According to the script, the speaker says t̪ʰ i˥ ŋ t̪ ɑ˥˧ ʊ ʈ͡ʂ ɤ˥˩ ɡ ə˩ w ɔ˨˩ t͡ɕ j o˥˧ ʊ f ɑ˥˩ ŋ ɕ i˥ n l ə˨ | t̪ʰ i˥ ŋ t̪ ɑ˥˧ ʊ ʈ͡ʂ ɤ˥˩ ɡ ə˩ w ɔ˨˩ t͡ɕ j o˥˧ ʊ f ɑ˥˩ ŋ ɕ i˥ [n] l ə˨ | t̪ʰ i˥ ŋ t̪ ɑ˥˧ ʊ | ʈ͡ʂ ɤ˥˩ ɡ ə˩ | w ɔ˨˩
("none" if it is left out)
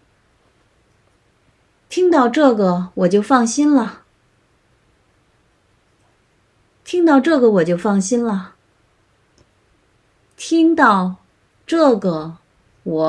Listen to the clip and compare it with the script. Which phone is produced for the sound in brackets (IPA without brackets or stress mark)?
n